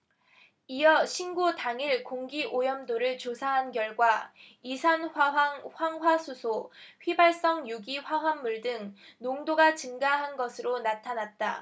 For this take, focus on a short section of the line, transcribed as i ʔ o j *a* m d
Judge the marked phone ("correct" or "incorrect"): incorrect